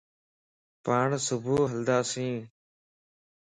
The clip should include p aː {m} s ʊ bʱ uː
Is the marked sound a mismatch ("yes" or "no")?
yes